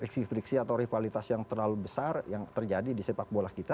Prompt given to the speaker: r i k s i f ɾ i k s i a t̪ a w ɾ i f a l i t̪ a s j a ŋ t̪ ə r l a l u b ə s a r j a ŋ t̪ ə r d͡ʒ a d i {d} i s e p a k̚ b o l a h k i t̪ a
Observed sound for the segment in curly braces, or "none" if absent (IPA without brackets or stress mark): d